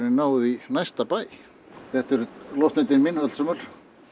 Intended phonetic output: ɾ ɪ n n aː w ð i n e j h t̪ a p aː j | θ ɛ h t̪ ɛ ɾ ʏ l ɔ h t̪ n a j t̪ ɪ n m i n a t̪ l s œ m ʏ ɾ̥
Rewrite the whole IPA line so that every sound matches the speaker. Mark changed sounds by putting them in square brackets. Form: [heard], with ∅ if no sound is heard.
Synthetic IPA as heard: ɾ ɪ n n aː w ð i n [a] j [s] t̪ a p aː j | θ ɛ h t̪ ɛ ɾ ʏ l ɔ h t̪ n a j t̪ ɪ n m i n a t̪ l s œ m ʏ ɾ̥